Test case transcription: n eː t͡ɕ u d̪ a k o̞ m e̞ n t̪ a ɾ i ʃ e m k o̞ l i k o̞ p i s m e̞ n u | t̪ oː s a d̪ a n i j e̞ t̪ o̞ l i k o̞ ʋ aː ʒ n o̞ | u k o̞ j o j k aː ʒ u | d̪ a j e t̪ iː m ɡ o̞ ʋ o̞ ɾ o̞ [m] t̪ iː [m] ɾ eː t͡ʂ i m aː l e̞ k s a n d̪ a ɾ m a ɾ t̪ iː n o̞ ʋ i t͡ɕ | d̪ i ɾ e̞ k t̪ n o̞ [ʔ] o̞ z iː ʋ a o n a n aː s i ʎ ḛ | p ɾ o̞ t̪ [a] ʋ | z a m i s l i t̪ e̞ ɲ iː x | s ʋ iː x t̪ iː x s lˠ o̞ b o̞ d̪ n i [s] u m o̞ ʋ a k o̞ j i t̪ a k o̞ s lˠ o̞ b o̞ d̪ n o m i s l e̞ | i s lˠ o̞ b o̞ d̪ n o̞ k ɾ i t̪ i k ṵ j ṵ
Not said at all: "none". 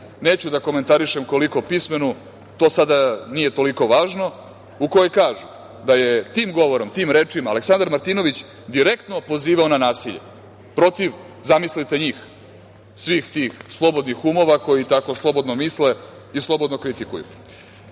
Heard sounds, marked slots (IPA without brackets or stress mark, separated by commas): m, m, p, i, x